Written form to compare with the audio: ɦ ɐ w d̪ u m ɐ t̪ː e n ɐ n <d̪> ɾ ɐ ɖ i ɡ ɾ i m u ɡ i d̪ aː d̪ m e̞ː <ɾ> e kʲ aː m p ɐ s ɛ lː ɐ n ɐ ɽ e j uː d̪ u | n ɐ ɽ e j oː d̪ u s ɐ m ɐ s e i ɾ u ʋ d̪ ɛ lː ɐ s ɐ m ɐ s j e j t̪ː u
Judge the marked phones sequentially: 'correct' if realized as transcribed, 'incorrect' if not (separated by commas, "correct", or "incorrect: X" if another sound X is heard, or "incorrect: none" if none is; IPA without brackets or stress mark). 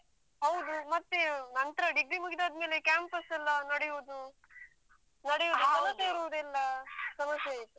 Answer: incorrect: t̪, incorrect: l